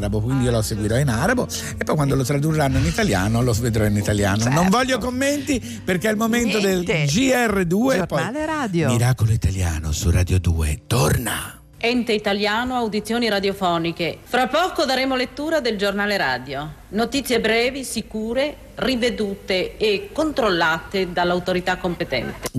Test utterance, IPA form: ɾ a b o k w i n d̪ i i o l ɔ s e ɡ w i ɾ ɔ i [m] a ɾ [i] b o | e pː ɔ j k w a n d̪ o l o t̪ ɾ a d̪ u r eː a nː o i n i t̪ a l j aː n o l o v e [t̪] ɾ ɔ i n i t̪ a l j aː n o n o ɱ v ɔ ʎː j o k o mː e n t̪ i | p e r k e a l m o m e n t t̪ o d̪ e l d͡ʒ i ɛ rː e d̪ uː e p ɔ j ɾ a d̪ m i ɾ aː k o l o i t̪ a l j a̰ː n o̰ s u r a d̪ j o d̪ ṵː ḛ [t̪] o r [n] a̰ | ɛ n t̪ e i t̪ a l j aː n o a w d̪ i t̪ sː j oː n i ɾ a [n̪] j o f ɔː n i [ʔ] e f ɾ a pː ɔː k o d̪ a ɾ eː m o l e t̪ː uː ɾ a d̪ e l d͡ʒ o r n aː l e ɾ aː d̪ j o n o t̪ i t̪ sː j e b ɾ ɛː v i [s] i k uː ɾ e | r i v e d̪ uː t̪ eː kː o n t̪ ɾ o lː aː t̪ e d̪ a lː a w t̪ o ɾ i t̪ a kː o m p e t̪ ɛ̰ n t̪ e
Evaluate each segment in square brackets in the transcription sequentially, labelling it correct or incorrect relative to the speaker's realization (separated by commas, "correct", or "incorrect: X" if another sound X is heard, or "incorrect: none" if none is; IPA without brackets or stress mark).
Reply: incorrect: n, incorrect: a, incorrect: d̪, correct, correct, incorrect: d̪, incorrect: k, correct